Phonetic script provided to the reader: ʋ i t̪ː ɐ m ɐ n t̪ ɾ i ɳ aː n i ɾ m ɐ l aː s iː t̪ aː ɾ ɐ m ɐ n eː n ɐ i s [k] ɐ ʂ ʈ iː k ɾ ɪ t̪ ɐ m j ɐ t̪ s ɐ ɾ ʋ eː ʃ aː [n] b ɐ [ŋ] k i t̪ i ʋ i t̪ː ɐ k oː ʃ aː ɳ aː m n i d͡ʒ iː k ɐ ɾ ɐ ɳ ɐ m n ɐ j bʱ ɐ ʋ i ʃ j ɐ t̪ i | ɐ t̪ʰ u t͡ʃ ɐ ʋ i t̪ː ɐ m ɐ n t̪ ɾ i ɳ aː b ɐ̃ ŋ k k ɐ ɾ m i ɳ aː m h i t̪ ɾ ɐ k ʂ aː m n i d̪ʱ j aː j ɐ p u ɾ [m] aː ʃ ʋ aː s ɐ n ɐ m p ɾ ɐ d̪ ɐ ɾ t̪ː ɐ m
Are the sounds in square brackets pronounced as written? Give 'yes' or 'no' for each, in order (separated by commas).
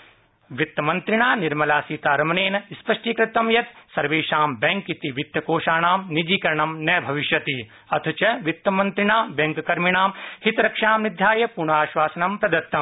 no, no, yes, no